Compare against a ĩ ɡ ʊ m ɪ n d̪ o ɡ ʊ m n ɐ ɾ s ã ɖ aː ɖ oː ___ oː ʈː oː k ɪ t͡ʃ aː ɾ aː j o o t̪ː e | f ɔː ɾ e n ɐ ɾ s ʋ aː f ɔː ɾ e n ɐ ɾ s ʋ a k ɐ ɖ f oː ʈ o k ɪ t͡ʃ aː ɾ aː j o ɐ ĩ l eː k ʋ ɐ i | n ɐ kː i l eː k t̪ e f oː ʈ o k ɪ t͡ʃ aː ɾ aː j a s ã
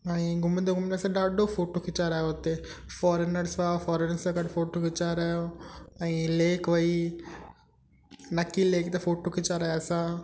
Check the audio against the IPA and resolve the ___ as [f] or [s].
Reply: f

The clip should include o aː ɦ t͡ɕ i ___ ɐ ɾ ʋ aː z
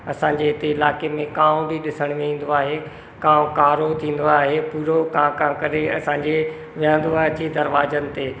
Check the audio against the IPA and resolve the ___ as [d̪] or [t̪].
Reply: d̪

